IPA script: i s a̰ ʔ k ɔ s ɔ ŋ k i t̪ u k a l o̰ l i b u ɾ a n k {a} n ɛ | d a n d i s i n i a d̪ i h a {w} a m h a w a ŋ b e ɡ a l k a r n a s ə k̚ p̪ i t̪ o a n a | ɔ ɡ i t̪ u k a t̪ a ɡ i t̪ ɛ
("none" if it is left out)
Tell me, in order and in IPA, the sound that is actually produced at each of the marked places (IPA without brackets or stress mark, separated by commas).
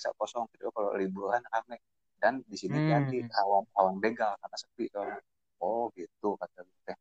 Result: a, w